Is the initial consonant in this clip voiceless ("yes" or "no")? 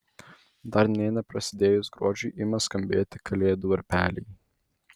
no